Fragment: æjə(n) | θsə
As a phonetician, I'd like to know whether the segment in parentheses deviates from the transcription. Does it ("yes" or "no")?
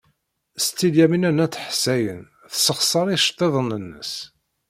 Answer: no